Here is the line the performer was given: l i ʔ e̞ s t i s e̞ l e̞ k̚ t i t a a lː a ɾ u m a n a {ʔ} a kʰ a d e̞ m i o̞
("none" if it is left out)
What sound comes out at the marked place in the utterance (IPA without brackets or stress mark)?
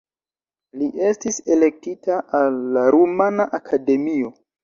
ʔ